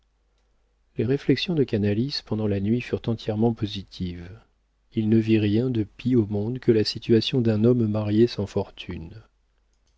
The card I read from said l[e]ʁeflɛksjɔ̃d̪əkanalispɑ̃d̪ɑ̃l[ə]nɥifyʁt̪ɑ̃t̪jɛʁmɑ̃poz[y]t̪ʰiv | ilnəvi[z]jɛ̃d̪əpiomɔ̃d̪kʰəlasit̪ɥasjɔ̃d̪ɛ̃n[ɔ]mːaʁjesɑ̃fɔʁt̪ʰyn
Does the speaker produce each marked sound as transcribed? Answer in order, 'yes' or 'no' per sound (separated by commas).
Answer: yes, no, no, no, yes